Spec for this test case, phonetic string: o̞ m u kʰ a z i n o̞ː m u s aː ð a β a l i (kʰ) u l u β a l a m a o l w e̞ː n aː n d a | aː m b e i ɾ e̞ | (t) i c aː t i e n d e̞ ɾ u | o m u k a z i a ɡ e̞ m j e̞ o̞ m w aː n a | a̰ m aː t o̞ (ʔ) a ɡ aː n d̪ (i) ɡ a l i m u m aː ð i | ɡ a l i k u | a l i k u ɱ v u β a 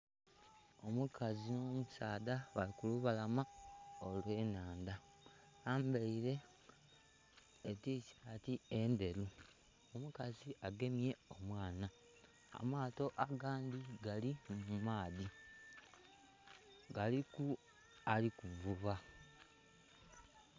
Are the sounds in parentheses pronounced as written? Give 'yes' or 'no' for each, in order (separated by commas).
no, yes, yes, yes